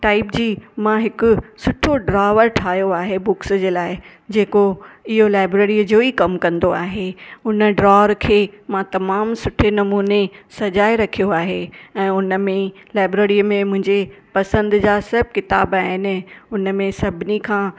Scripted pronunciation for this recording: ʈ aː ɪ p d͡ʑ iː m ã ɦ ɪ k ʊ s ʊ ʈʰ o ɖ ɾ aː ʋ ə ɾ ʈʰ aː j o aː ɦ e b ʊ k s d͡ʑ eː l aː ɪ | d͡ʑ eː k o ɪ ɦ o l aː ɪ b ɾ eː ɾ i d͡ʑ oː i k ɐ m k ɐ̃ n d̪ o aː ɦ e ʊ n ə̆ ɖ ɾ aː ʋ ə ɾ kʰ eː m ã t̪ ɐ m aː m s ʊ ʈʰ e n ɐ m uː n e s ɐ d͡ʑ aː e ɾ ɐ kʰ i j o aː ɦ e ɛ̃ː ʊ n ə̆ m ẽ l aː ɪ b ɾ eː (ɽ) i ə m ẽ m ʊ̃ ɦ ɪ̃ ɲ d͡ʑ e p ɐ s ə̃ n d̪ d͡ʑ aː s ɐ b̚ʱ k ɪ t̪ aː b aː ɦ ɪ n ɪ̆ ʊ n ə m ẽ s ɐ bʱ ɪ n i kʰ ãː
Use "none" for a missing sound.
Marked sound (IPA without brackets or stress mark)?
ɾ